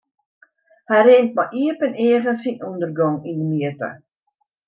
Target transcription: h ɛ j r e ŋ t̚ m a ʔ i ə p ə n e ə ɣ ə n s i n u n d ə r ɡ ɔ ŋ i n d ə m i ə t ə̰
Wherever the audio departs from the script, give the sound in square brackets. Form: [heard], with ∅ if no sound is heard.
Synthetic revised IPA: h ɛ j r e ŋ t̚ m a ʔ i ə p ə n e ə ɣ ə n s i n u n d ə r ɡ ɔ ŋ i n d ə m i ə t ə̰